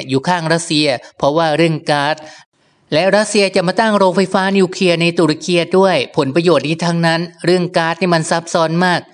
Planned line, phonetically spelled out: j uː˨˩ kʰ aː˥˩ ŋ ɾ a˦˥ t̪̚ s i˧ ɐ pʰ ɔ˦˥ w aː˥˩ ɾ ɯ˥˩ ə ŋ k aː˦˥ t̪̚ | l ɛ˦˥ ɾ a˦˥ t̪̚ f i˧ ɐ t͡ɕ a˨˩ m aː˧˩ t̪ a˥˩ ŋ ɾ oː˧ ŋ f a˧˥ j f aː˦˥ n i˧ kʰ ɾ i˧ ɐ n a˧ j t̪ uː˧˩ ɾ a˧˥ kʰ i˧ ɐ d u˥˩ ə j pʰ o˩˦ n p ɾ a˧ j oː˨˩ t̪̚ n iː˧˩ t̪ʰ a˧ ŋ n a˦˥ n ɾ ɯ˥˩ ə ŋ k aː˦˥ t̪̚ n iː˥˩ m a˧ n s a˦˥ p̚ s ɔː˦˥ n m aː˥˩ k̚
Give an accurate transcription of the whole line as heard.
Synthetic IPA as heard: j uː˨˩ kʰ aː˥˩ ŋ ɾ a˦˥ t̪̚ s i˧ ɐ pʰ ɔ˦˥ w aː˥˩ ɾ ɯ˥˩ ə ŋ k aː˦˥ t̪̚ | l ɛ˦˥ ɾ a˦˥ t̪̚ s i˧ ɐ t͡ɕ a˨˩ m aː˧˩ t̪ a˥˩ ŋ ɾ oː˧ ŋ f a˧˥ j f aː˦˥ n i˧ kʰ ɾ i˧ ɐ n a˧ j t̪ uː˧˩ ɾ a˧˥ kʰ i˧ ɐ d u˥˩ ə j pʰ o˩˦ n p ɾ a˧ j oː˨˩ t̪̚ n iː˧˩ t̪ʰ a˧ ŋ n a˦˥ n ɾ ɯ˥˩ ə ŋ k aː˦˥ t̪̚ n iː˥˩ m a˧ n s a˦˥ p̚ s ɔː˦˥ n m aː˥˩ k̚

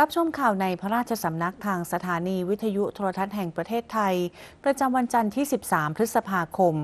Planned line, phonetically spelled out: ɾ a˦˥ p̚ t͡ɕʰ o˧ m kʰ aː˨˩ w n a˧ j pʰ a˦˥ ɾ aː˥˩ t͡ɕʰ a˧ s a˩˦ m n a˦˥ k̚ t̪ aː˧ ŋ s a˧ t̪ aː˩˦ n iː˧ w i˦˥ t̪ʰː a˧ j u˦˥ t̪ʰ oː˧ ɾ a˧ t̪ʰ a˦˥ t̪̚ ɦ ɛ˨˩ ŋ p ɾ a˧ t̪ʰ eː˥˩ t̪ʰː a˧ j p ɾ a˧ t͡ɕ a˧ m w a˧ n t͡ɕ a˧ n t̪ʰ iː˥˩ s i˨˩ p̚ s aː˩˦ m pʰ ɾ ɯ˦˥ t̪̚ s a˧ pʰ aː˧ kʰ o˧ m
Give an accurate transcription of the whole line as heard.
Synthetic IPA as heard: ɾ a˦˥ p̚ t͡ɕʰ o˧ m kʰ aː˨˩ w n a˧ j pʰ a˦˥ ɾ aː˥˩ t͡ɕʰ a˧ s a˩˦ m n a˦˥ k̚ t̪ʰ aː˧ ŋ s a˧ t̪ʰ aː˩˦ n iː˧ w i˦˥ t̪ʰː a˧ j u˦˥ t̪ʰ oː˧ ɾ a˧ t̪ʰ a˦˥ t̪̚ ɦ ɛ˨˩ ŋ p ɾ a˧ t̪ʰ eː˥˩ t̪ʰː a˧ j p ɾ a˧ t͡ɕ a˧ m w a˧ n t͡ɕ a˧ n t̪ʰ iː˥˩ s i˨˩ p̚ s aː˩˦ m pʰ ɾ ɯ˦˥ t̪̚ s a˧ pʰ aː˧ kʰ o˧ m

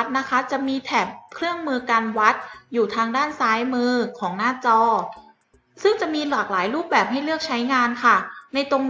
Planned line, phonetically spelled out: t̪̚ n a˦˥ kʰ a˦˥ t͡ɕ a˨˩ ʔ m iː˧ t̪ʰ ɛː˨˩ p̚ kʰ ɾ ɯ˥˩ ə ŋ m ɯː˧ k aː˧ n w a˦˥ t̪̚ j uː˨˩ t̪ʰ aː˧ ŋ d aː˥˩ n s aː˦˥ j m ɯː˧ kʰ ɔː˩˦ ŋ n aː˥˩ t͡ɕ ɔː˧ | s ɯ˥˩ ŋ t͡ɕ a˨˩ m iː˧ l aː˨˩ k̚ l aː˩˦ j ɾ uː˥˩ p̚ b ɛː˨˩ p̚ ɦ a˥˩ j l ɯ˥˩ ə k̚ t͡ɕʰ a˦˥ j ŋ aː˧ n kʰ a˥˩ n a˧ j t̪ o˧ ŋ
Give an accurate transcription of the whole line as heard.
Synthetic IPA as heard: t̪̚ n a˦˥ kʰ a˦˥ t͡ɕ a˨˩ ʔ m iː˧ t̪ʰ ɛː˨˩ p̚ kʰ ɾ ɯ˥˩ ə ŋ m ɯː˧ k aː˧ n w a˦˥ t̪̚ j uː˨˩ t̪ʰ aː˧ ŋ d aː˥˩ n s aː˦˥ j m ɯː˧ kʰ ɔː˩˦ ŋ n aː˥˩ t͡ɕ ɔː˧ | s ɯ˥˩ ŋ t͡ɕ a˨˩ m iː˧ l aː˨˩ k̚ l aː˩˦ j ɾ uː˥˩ p̚ b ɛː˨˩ p̚ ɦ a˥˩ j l ɯ˥˩ ə k̚ t͡ɕʰ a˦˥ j ŋ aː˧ n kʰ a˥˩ n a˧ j t̪ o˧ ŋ

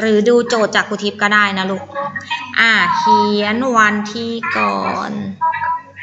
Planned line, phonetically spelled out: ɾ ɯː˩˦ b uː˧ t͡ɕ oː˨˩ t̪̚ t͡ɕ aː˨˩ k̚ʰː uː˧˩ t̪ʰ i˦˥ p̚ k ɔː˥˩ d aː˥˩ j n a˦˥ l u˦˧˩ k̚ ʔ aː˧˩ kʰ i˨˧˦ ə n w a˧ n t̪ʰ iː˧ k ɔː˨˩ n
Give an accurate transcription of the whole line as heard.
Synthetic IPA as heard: ɾ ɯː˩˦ d uː˧ t͡ɕ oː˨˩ t̪̚ t͡ɕ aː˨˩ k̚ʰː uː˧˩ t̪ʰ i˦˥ p̚ k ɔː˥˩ d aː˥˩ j n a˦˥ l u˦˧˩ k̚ ʔ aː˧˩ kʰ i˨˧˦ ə n w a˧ n t̪ʰ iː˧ k ɔː˨˩ n

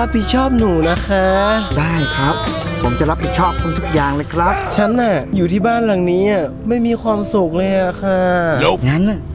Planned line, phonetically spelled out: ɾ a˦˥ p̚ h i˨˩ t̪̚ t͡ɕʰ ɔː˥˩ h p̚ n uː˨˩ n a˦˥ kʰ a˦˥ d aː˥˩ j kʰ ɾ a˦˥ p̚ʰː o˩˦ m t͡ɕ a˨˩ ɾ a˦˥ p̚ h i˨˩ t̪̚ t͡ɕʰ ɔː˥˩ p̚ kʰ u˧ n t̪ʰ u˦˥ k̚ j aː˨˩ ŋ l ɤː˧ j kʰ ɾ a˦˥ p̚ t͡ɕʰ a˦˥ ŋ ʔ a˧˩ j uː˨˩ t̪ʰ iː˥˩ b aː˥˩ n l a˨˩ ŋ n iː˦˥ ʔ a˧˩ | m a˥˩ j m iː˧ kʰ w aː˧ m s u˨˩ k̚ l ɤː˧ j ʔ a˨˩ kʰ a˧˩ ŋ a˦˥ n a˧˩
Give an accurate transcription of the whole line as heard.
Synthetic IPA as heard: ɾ a˦˥ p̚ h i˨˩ t̪̚ t͡ɕʰ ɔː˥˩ p̚ n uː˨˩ n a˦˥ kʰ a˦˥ d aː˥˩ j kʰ ɾ a˦˥ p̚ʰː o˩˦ m t͡ɕ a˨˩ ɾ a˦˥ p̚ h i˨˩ t̪̚ t͡ɕʰ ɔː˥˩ p̚ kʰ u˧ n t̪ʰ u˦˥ k̚ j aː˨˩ ŋ l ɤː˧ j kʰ ɾ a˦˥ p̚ t͡ɕʰ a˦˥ n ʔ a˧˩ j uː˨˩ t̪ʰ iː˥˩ b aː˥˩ n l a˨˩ ŋ n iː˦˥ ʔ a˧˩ | m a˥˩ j m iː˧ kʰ w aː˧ m s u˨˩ k̚ l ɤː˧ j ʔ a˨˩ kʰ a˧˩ ŋ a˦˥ n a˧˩

